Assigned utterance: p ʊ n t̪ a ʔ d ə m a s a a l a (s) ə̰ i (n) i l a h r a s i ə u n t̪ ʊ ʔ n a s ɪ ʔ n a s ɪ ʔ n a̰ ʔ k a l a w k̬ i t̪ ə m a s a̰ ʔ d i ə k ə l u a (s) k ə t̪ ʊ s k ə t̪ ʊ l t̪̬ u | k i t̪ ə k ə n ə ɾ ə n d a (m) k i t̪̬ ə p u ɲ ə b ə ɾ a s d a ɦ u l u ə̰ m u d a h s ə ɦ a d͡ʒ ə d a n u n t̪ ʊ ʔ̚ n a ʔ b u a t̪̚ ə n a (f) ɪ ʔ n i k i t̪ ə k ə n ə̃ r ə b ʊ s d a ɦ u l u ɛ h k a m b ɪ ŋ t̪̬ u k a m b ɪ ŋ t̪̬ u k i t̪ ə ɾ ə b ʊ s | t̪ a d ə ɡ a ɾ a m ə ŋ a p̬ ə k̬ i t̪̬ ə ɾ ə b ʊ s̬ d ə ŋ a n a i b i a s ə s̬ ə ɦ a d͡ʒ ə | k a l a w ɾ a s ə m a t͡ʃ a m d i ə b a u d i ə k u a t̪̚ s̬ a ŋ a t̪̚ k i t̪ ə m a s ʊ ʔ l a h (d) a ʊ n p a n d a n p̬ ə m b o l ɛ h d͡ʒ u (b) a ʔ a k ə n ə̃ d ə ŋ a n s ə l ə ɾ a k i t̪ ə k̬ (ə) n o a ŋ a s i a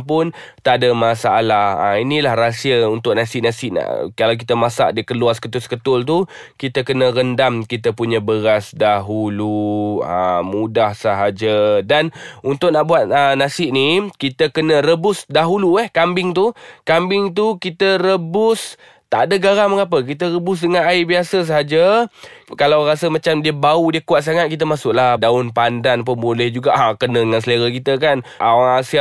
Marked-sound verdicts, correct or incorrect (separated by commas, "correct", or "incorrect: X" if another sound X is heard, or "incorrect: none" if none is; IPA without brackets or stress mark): incorrect: h, correct, correct, correct, incorrect: s, correct, incorrect: ɡ, incorrect: a